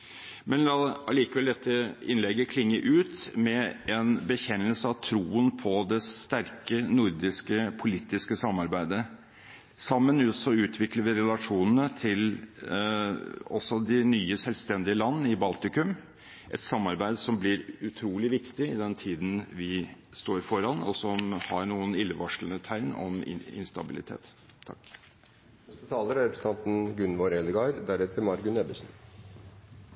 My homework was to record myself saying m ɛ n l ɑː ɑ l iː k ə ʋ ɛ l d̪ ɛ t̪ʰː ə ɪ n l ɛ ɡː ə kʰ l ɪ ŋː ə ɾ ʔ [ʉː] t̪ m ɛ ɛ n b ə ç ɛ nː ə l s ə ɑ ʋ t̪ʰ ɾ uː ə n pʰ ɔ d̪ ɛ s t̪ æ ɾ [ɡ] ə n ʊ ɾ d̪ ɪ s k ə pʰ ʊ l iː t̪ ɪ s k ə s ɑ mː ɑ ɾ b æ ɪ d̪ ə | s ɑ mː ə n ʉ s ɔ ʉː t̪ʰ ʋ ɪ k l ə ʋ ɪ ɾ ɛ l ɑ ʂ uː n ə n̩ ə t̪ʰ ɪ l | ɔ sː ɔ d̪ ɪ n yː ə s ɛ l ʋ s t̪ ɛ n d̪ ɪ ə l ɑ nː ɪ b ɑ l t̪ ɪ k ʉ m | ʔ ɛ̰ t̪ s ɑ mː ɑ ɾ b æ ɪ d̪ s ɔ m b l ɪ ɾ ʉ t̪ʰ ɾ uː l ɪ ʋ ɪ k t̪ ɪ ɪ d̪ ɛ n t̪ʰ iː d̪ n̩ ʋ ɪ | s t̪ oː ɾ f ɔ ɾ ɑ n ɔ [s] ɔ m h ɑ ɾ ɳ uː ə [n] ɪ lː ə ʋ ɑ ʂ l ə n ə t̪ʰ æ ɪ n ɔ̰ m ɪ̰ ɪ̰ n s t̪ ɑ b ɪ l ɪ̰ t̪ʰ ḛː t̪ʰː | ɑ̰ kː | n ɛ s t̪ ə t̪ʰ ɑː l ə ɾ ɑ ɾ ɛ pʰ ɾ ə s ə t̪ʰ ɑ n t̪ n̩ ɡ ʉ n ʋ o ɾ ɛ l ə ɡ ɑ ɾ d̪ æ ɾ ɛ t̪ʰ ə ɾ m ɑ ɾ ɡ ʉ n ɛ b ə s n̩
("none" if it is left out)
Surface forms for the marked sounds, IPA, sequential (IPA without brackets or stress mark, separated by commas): ʉː, k, s, n